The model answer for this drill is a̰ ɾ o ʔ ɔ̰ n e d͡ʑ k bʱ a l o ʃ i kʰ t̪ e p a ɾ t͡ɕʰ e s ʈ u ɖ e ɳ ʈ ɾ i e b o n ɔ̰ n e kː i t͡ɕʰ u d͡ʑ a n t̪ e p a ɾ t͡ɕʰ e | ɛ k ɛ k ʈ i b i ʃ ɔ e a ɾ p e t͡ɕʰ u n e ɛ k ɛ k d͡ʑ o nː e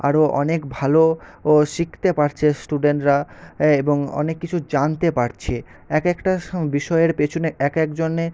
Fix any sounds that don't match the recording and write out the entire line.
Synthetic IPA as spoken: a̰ ɾ o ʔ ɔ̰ n e k bʱ a l o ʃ i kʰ t̪ e p a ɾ t͡ɕʰ e s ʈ u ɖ e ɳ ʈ ɾ a e b o ŋ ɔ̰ n e kː i t͡ɕʰ u d͡ʑ a n t̪ e p a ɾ t͡ɕʰ e | ɛ k ɛ k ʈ a b i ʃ ɔ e e ɾ p e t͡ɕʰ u n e ɛ k ɛ k d͡ʑ o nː e